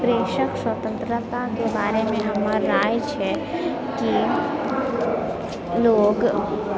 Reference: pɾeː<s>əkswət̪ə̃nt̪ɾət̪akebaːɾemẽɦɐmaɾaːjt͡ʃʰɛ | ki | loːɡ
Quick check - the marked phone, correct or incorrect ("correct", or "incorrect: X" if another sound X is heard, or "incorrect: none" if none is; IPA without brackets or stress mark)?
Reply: incorrect: ʃ